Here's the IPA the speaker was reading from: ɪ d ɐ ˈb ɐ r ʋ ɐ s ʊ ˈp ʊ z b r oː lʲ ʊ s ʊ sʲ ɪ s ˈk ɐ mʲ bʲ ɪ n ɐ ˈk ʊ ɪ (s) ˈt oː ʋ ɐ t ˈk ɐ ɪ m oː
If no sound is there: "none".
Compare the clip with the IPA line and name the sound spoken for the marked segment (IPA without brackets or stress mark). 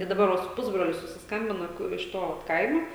ʃ